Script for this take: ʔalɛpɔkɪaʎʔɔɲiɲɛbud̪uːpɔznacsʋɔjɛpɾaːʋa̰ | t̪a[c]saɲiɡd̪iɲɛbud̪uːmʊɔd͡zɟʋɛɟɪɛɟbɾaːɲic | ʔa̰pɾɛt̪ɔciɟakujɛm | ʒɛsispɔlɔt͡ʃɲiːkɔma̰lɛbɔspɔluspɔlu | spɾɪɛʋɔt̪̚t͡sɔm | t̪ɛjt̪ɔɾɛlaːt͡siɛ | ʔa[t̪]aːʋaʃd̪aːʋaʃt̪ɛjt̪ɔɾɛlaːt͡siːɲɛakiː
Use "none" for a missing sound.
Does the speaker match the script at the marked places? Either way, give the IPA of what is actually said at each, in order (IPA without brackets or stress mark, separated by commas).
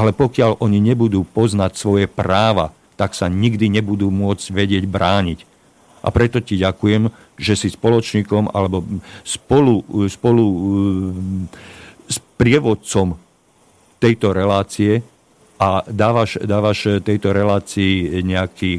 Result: k, d̪